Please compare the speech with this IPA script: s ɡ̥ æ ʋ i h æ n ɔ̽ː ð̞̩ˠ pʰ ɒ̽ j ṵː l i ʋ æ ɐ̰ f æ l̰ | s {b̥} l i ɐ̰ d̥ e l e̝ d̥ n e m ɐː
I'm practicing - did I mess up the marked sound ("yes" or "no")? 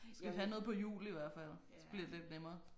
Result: no